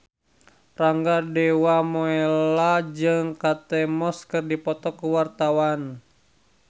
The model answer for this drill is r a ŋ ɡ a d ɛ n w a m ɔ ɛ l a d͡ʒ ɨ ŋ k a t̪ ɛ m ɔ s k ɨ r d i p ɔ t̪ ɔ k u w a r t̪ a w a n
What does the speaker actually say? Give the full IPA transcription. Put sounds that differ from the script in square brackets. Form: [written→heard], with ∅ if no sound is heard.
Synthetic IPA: r a ŋ ɡ a d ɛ [n→∅] w a m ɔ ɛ l a d͡ʒ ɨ ŋ k a t̪ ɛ m ɔ s k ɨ r d i p ɔ t̪ ɔ k u w a r t̪ a w a n